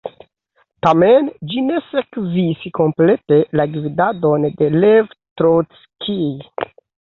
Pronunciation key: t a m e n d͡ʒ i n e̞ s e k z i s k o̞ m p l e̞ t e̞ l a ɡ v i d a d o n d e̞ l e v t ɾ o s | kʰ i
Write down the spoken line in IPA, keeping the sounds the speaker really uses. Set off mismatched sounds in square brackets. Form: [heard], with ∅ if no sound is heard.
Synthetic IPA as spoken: t a m e n d͡ʒ i n e̞ s e k z i s k o̞ m p l e̞ t e̞ l a ɡ v i d a d o n d e̞ l e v t ɾ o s | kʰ i

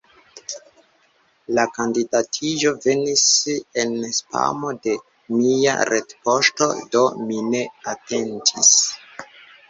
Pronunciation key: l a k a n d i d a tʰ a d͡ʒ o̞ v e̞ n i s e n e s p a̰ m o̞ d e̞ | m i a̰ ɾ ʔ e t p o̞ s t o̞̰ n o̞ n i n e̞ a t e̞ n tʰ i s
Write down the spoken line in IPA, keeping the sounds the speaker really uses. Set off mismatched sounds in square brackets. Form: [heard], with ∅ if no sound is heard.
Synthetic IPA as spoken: l a k a n d i d a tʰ [i] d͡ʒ o̞ v e̞ n i s e n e s p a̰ m o̞ d e̞ | m i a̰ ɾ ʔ e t p o̞ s t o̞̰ [d] o̞ [m] i n e̞ a t e̞ n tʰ i s

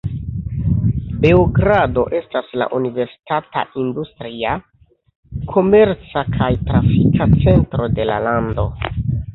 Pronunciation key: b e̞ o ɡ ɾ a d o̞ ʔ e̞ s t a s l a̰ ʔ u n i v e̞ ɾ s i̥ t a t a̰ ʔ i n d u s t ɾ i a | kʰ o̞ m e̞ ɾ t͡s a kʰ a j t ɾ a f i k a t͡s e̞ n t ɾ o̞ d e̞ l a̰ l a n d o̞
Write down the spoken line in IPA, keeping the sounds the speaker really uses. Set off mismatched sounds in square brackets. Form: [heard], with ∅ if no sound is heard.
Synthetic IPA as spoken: b e̞ o ɡ ɾ a d o̞ ʔ e̞ s t a s l a̰ ʔ u n i v e̞ ɾ s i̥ t a t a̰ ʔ i n d u s t ɾ i a | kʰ o̞ m e̞ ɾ t͡s a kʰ a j t ɾ a f i k a t͡s e̞ n t ɾ o̞ d e̞ l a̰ l a n d o̞

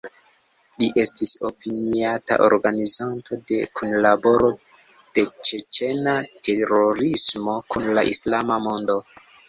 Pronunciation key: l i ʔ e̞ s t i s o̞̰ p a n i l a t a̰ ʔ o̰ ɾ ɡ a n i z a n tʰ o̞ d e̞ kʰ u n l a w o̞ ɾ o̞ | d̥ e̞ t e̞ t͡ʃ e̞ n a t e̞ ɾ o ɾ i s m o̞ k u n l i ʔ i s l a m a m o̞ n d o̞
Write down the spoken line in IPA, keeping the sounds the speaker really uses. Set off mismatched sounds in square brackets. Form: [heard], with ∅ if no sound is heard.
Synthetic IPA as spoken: l i ʔ e̞ s t i s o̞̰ p [i] n i [∅] a t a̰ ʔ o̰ ɾ ɡ a n i z a n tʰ o̞ d e̞ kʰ u n l a [b] o̞ ɾ o̞ | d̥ e̞ [t͡ʃ] e̞ t͡ʃ e̞ n a t e̞ ɾ o ɾ i s m o̞ k u n l [a] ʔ i s l a m a m o̞ n d o̞

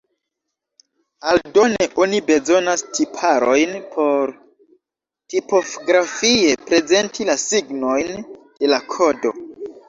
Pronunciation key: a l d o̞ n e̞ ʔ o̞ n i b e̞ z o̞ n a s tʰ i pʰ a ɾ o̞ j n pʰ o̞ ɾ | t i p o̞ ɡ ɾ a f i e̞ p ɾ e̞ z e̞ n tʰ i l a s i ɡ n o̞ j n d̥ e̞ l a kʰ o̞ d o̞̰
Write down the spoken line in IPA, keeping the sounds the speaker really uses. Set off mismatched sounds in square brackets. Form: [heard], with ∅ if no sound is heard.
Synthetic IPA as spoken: a l d o̞ n e̞ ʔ o̞ n i b e̞ z o̞ n a s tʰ i pʰ a ɾ o̞ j n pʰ o̞ ɾ | t i p o̞ ɡ ɾ a f i e̞ p ɾ e̞ z e̞ n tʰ i l a s i ɡ n o̞ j n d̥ e̞ l a kʰ o̞ d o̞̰

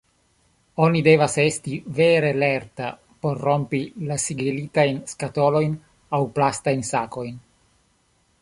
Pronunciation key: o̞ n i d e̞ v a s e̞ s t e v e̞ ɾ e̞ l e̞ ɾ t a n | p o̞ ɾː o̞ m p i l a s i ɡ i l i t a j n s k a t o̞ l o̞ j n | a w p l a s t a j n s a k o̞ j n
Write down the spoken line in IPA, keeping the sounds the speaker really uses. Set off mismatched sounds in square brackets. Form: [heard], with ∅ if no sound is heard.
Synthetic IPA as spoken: o̞ n i d e̞ v a s e̞ s t [i] v e̞ ɾ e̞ l e̞ ɾ t a [∅] | p o̞ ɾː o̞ m p i l a s i ɡ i l i t a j n s k a t o̞ l o̞ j n | a w p l a s t a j n s a k o̞ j n

